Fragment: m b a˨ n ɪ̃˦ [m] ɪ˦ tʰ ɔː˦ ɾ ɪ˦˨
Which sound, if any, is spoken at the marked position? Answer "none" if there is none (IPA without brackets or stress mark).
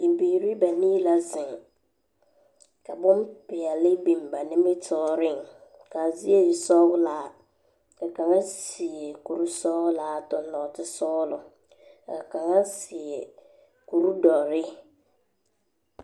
m